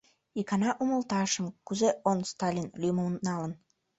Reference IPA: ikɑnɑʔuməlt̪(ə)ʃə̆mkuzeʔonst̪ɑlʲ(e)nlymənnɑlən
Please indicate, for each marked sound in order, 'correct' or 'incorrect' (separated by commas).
incorrect, incorrect